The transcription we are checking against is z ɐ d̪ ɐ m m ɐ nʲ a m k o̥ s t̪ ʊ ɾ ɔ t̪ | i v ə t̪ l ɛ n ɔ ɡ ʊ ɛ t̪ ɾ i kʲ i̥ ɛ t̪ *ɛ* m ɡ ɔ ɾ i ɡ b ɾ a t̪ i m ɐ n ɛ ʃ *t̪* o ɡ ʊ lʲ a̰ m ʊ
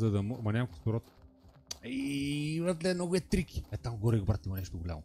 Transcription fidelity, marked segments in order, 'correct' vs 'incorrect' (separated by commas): incorrect, correct